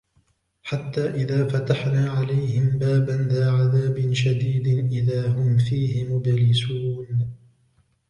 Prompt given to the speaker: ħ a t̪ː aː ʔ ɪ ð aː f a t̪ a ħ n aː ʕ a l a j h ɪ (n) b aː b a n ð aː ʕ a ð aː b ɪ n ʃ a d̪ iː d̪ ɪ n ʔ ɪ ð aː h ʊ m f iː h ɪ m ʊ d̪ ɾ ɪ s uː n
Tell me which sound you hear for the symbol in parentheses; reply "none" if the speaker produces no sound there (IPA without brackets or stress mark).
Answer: m